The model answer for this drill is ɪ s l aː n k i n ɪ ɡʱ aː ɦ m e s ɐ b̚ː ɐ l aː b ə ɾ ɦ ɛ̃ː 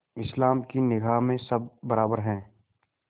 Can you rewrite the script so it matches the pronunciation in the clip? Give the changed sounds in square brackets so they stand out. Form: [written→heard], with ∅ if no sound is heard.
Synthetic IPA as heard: ɪ s l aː [n→m] k i n ɪ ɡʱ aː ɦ m [e→ẽ] s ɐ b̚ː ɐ [l→ɾ] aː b ə ɾ ɦ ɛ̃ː